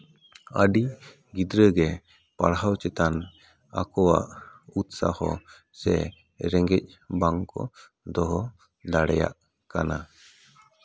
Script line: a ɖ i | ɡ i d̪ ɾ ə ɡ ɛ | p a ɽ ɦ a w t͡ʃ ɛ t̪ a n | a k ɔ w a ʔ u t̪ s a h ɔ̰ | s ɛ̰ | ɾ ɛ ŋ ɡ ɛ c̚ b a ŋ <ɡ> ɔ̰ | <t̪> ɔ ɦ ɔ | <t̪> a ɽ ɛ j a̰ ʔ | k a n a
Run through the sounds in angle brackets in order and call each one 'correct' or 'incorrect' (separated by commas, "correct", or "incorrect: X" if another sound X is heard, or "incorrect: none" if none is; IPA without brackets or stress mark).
incorrect: k, incorrect: d̪, incorrect: d̪